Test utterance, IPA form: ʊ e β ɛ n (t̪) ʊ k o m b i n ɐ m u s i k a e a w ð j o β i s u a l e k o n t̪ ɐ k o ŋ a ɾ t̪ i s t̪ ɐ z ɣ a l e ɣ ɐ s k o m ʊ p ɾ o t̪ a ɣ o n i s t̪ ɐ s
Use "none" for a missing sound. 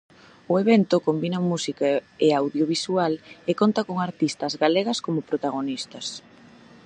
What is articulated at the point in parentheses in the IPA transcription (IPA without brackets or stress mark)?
t̪